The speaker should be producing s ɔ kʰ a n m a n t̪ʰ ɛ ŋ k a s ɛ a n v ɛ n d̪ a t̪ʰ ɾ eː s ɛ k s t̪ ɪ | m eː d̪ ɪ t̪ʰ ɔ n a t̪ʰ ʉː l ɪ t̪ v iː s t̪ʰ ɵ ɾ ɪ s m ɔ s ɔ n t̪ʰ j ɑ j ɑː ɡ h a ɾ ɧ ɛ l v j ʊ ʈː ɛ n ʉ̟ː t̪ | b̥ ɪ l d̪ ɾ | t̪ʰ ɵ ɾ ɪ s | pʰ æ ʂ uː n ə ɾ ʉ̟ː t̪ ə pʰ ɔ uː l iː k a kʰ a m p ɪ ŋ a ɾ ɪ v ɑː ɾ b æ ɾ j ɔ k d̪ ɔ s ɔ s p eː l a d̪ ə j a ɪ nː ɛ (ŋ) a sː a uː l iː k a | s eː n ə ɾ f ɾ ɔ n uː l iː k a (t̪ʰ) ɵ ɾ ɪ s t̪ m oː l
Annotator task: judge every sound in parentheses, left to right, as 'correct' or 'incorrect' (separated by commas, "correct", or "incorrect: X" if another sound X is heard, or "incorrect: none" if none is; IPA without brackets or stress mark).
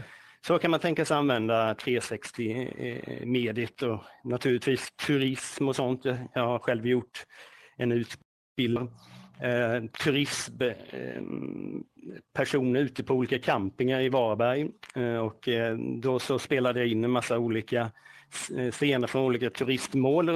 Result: incorrect: m, correct